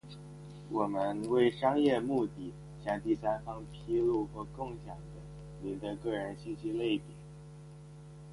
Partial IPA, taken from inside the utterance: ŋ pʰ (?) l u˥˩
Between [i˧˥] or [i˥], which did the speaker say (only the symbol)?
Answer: i˥